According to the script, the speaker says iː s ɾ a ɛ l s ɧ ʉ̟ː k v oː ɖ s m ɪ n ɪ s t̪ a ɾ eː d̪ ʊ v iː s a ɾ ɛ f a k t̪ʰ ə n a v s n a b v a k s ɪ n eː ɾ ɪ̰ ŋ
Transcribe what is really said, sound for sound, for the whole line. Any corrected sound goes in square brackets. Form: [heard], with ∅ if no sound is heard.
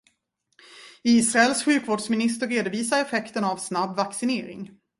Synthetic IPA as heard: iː s ɾ a ɛ l s ɧ ʉ̟ː k v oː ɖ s m ɪ n ɪ s t̪ [ə] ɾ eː d̪ ʊ v iː s a ɾ ɛ f [ɛ] k [t̪] ə n a v s n a b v a k s ɪ n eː ɾ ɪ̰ ŋ

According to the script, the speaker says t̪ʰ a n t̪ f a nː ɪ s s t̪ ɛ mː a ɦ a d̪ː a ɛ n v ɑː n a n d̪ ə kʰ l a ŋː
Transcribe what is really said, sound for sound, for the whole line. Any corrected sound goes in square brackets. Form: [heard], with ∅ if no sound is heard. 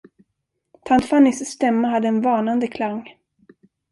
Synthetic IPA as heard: t̪ʰ a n t̪ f a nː ɪ s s t̪ ɛ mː a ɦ a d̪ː [ə] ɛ n v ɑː n a n d̪ ə kʰ l a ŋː

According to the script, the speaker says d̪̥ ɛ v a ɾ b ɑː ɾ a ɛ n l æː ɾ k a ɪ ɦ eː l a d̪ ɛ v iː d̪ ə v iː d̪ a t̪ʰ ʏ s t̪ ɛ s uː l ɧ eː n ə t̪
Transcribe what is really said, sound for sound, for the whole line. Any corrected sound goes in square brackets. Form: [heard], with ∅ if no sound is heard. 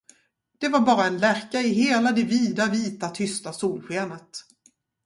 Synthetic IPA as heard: d̪̥ ɛ v a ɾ b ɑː ɾ a ɛ n l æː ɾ k a ɪ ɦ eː l a d̪ ɛ v iː d̪ [a] v iː [t̪] a t̪ʰ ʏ s t̪ [a] s uː l ɧ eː n ə t̪

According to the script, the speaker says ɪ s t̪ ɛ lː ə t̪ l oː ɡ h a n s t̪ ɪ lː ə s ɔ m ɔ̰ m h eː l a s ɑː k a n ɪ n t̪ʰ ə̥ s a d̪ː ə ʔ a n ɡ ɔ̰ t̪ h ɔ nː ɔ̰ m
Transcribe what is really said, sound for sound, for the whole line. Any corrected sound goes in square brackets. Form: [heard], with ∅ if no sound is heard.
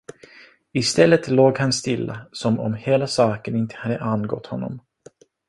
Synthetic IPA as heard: ɪ s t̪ ɛ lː ə t̪ l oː ɡ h a n s t̪ ɪ lː [a] s ɔ m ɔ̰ m h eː l a s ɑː k [ə] n ɪ n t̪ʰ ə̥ [h] a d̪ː ə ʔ a n ɡ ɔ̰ t̪ h ɔ nː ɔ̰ m

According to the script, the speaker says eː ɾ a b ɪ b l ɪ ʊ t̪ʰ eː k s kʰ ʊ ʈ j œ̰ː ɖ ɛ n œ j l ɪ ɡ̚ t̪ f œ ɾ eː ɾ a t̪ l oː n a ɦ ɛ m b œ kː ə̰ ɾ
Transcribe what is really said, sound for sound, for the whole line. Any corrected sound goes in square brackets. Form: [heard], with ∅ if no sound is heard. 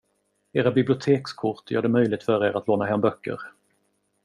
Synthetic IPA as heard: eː ɾ a b ɪ b l ɪ ʊ t̪ʰ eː k s kʰ ʊ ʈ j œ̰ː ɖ ɛ [m] œ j l ɪ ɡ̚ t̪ f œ ɾ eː ɾ a t̪ l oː n a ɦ ɛ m b œ kː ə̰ ɾ

